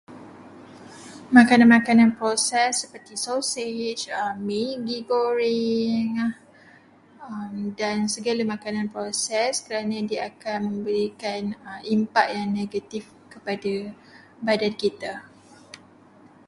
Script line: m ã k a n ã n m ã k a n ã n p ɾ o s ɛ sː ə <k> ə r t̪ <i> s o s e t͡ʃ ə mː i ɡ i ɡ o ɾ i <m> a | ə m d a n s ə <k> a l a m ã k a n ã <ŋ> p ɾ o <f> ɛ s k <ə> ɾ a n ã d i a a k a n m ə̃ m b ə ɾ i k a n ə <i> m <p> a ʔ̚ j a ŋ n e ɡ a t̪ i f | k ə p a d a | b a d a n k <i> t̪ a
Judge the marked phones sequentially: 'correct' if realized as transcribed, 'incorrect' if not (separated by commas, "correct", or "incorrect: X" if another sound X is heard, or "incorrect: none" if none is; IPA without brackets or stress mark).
incorrect: p, correct, incorrect: ŋ, incorrect: ɡ, incorrect: n, incorrect: s, correct, correct, correct, correct